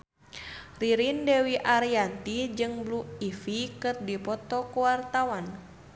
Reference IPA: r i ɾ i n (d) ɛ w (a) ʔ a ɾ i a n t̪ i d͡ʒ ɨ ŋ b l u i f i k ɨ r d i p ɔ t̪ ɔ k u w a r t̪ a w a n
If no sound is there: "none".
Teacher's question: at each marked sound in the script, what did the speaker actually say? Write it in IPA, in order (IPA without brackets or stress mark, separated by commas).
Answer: d, i